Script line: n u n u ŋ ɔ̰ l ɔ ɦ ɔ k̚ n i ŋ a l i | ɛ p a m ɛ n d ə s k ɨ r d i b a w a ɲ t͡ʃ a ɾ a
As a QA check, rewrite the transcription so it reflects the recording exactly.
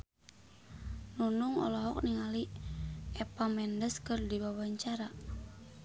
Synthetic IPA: n u n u ŋ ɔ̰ l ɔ ɦ ɔ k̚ n i ŋ a l i | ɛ p a m ɛ n d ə s k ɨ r d i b a w a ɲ t͡ʃ a ɾ a